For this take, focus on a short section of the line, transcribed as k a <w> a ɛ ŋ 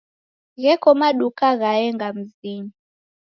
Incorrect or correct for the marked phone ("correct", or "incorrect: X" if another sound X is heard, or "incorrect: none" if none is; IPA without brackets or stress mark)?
incorrect: ɣ